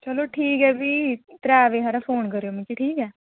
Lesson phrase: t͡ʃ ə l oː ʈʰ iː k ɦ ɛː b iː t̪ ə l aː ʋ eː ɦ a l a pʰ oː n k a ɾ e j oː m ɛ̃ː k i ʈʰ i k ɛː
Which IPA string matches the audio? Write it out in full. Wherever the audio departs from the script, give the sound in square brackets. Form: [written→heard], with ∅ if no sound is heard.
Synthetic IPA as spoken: t͡ʃ ə l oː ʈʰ iː k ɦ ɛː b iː t̪ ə [l→ɾ] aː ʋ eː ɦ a [l→ɾ] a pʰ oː n k [a→ə] ɾ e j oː m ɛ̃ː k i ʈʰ [i→iː] k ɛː